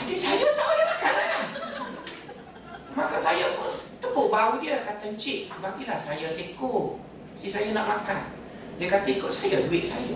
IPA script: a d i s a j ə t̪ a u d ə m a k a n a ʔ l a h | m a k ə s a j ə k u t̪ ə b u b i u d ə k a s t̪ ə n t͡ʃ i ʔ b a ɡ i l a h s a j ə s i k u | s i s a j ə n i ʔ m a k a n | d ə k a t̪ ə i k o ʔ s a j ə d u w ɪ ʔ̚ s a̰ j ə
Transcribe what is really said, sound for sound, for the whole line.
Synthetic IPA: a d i s a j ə t̪ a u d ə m a k a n a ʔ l a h | m a k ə s a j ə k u t̪ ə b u b a u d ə k a t̪ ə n t͡ʃ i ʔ b a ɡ i l a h s a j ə s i k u | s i s a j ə n a ʔ m a k a n | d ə k a t̪ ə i k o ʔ s a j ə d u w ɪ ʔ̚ s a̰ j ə